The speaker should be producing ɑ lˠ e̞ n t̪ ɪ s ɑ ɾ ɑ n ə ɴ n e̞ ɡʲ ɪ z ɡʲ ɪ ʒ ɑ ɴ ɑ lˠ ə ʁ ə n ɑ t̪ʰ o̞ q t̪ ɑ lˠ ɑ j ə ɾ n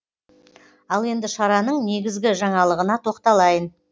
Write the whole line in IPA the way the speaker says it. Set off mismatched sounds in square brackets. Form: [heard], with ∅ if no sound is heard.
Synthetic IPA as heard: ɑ lˠ e̞ n [d̪] ɪ [ʃ] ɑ ɾ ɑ n ə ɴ n e̞ ɡʲ ɪ z ɡʲ ɪ ʒ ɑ ɴ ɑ lˠ ə ʁ ə n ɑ t̪ʰ o̞ q t̪ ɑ lˠ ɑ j ə [∅] n